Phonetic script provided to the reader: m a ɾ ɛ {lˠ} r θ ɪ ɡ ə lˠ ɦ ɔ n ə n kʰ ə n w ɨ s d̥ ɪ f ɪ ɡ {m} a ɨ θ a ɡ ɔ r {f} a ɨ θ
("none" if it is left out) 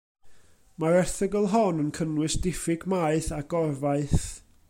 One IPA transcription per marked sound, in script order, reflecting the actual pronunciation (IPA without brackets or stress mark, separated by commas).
none, m, v